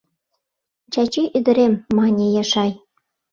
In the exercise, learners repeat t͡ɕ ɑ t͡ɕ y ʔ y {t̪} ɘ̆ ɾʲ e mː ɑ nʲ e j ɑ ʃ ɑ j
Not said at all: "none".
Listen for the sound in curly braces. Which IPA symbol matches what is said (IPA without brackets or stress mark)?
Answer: d̪